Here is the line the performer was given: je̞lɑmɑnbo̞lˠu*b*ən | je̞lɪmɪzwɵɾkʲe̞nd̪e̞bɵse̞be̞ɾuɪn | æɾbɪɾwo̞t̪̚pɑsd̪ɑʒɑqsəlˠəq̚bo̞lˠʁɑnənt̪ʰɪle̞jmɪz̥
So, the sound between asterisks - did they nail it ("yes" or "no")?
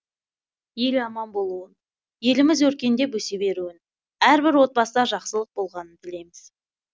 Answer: no